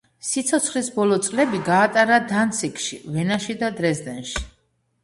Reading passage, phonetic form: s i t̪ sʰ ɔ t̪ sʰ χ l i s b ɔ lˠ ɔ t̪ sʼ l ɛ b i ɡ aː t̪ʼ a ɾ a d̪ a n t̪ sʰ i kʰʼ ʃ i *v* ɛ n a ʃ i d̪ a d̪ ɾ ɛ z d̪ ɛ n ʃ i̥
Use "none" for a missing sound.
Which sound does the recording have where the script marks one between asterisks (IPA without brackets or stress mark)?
v